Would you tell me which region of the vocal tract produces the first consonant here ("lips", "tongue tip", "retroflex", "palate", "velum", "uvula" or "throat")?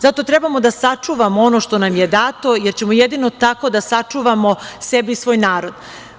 tongue tip